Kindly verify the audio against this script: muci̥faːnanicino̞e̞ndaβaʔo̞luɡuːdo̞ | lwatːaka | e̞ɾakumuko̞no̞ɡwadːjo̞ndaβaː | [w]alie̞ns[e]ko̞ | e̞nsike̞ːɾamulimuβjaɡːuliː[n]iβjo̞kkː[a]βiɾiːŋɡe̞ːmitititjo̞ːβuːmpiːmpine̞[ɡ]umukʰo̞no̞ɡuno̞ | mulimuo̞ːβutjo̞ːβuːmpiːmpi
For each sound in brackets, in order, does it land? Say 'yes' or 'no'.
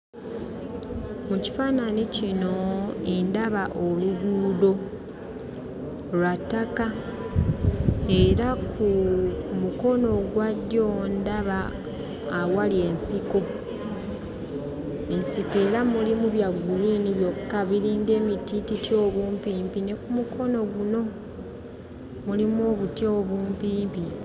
yes, no, yes, yes, no

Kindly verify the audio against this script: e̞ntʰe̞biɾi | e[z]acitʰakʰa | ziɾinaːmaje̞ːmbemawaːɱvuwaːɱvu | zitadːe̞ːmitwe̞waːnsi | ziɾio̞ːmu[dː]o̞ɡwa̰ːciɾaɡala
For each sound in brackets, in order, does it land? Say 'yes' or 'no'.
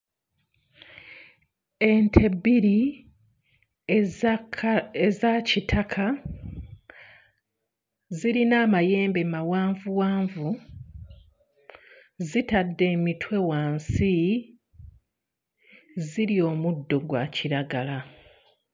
yes, yes

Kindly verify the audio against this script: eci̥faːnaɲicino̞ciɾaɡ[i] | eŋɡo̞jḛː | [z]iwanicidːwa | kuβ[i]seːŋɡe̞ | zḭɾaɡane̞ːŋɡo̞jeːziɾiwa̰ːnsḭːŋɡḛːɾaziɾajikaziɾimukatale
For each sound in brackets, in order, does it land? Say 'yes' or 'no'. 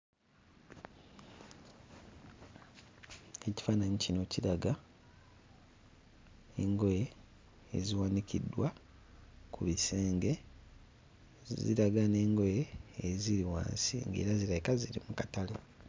no, yes, yes

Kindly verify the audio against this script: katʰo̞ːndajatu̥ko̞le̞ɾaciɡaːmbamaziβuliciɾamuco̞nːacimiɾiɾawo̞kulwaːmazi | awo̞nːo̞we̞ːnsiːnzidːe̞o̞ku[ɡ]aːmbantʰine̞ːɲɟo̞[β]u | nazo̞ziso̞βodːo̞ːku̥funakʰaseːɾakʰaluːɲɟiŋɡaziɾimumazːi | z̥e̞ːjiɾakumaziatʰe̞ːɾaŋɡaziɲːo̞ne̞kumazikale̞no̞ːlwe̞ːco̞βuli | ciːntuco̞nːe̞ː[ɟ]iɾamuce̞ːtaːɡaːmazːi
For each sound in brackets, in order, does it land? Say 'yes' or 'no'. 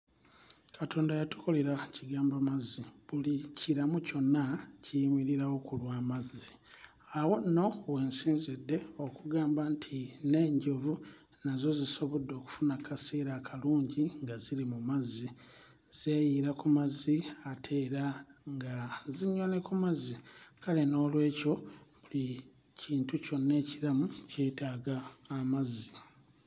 yes, no, no

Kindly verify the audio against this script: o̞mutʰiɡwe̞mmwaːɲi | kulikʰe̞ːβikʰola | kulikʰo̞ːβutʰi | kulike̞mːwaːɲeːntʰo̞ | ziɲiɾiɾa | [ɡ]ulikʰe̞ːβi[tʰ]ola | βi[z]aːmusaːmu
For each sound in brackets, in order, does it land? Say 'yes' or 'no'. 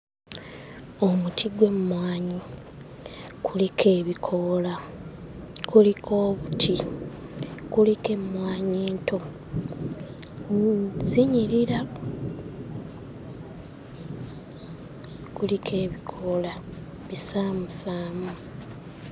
no, no, no

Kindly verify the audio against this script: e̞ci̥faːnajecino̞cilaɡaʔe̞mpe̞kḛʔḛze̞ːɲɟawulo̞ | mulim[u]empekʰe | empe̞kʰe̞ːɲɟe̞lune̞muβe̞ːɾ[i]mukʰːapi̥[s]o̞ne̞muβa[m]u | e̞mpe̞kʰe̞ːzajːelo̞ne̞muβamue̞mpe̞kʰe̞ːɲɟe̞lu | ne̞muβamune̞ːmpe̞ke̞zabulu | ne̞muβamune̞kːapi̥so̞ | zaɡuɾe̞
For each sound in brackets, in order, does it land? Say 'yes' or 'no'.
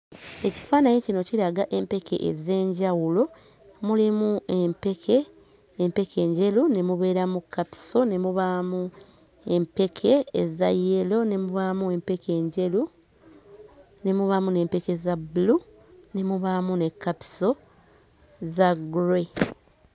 yes, no, yes, yes

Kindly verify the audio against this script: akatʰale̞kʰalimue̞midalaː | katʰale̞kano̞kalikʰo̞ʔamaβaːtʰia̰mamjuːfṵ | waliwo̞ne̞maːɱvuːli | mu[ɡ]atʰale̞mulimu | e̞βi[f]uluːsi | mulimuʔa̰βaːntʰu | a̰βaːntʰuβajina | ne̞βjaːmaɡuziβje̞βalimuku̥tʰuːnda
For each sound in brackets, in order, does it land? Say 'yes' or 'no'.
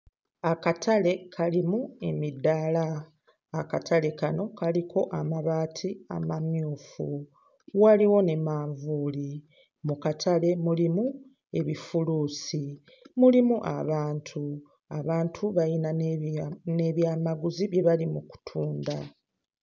no, yes

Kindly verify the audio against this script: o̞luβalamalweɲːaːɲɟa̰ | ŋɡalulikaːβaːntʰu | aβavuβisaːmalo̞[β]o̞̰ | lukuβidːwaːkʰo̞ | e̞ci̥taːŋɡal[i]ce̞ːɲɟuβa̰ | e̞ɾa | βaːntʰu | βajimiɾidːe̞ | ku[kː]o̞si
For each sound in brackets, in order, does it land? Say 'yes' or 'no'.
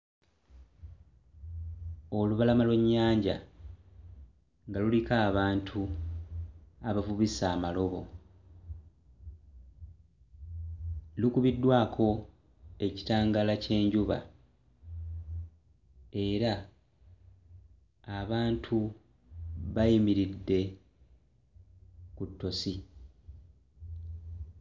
yes, no, no

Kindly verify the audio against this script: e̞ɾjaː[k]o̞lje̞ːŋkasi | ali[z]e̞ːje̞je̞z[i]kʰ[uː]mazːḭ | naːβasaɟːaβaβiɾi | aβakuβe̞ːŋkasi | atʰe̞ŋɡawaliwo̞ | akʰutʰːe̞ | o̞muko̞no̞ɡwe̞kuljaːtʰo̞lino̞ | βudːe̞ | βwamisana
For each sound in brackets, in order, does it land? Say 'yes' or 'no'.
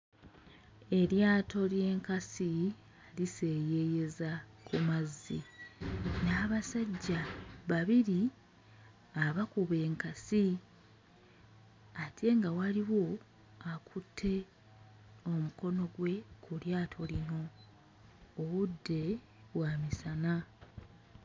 no, no, no, no

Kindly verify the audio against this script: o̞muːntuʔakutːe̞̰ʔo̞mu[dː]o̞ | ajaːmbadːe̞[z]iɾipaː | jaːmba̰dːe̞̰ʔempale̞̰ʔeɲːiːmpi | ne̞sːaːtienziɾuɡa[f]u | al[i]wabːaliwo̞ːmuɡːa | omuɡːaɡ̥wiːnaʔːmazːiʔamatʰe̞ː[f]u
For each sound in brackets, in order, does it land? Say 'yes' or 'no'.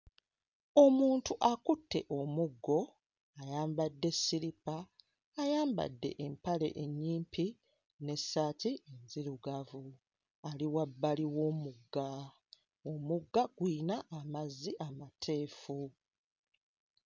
no, no, no, yes, yes

